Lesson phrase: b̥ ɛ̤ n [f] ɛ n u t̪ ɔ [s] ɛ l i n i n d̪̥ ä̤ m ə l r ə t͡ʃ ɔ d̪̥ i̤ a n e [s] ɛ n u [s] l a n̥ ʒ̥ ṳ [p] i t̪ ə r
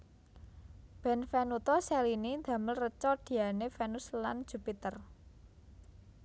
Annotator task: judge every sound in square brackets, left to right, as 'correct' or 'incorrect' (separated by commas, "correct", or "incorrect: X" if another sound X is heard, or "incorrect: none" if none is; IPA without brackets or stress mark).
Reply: correct, correct, incorrect: f, correct, correct